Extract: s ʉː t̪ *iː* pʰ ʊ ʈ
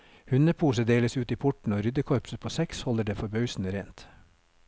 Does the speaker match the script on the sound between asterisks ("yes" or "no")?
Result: yes